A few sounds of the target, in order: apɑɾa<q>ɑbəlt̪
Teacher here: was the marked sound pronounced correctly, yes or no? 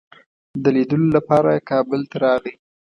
no